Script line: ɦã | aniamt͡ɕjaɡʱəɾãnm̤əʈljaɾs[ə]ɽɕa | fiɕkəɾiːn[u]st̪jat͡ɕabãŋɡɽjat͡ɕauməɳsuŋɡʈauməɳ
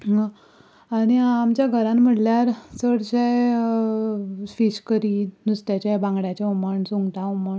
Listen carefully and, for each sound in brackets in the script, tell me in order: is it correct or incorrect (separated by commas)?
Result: correct, correct